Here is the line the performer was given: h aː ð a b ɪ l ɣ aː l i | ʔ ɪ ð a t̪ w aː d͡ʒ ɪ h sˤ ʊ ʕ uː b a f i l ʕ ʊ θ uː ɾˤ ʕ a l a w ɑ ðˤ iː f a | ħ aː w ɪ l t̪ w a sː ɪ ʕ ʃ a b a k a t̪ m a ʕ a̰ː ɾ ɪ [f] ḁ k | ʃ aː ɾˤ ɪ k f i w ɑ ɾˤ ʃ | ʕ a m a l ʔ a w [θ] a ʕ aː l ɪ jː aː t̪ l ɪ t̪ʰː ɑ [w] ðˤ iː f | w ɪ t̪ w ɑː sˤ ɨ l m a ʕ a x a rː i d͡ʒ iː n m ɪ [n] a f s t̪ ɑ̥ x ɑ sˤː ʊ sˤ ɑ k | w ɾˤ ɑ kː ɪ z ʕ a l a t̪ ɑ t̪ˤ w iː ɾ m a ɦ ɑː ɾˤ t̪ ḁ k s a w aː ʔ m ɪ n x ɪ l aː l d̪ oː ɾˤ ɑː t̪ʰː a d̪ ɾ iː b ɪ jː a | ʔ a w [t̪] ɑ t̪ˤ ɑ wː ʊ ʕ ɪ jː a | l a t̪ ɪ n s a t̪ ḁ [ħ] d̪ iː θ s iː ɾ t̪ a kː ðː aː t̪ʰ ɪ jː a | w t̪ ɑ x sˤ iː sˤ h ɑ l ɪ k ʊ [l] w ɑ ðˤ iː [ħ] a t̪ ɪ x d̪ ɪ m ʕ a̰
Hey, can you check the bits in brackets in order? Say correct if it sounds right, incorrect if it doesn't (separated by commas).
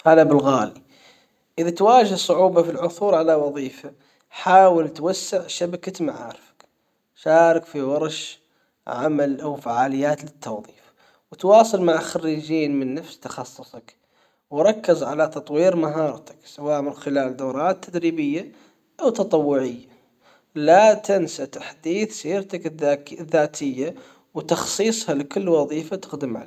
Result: correct, incorrect, correct, incorrect, correct, correct, incorrect, incorrect